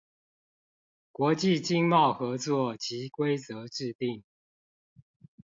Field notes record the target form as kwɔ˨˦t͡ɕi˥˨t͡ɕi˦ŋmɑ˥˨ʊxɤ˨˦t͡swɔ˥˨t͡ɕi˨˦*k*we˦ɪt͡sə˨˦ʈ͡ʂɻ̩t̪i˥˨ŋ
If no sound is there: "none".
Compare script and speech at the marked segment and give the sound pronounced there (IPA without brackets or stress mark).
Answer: k